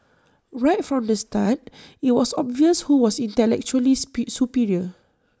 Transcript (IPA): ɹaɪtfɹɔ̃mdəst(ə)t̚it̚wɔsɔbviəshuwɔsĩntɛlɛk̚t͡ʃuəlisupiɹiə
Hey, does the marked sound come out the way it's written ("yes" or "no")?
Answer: no